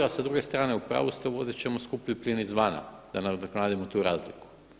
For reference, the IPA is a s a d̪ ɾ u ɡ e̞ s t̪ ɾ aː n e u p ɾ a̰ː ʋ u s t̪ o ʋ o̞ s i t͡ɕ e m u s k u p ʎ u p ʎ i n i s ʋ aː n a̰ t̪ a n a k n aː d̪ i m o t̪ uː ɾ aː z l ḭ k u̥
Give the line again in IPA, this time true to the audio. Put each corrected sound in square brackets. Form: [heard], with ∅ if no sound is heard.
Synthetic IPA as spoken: a s a d̪ ɾ u ɡ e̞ s t̪ ɾ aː n e u p ɾ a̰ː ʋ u s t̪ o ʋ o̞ [z] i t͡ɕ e m [o] s k u p ʎ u p ʎ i n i [z] ʋ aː n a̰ [d̪] a n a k n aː d̪ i m o t̪ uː ɾ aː z l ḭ k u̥